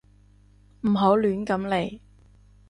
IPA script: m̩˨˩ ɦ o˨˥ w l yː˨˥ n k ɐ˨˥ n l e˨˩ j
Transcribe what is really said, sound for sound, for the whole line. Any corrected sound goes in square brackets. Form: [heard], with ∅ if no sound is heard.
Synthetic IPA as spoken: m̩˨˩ ɦ o˨˥ w l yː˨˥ n k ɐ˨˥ [m] l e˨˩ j